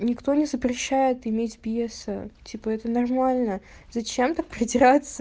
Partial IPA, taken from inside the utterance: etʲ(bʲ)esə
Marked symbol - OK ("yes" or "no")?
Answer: yes